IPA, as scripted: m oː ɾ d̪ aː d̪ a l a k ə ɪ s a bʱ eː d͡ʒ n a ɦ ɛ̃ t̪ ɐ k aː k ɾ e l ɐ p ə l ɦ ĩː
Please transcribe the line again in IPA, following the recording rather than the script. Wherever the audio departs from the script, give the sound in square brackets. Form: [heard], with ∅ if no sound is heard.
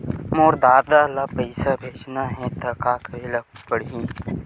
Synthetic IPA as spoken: m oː ɾ d̪ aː d̪ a l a [p] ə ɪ s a bʱ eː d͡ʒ n a ɦ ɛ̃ t̪ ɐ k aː k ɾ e l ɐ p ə [ɽ] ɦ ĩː